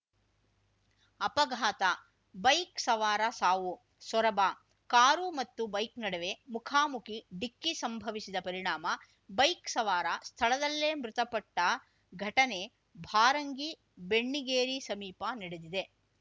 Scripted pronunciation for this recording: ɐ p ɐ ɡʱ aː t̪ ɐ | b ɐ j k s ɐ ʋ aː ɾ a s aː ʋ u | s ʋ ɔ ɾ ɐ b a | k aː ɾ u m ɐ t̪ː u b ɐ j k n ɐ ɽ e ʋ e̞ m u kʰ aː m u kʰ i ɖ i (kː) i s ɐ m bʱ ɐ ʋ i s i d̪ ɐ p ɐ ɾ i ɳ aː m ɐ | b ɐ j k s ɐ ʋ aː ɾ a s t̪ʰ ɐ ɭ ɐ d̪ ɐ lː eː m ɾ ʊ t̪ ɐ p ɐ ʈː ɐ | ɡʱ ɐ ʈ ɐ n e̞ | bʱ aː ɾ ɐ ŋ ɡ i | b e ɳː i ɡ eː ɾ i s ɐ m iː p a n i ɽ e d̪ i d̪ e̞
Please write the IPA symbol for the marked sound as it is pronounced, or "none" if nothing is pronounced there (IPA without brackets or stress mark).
kː